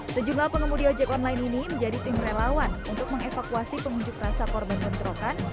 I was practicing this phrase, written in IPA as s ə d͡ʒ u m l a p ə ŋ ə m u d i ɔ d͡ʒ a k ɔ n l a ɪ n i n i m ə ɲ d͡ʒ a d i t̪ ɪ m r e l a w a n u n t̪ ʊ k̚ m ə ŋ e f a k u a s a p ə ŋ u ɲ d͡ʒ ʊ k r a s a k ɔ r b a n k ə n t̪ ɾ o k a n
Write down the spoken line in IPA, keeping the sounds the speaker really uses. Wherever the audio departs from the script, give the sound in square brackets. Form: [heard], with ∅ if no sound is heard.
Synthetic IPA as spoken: s ə d͡ʒ u m l a p ə ŋ ə m u d i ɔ d͡ʒ [ɛ] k ɔ n l a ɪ n i n i m ə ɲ d͡ʒ a d i t̪ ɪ m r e l a w a n u n t̪ ʊ k̚ m ə ŋ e f a k u a s [i] p ə ŋ u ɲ d͡ʒ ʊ k r a s a k ɔ r b a n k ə n t̪ ɾ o k a n